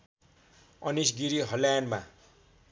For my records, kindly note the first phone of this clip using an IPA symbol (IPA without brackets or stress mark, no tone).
ʌ